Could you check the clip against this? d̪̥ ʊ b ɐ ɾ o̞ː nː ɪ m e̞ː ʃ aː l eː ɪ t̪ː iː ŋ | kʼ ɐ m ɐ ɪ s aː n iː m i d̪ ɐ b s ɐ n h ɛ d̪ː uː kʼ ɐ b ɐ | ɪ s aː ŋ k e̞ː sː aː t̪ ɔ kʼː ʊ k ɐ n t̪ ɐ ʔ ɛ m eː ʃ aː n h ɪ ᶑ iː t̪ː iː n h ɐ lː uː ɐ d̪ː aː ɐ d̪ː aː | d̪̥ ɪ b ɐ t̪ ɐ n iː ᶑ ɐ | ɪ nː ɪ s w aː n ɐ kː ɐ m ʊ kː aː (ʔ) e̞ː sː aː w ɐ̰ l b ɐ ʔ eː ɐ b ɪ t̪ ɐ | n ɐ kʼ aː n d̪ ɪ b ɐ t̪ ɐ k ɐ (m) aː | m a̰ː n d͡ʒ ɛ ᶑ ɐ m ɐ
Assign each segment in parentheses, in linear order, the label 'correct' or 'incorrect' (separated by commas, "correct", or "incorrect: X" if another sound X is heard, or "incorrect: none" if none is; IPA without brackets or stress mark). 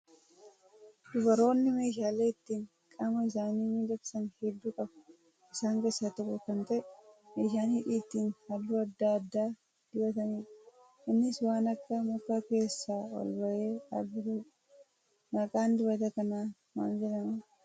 incorrect: k, incorrect: n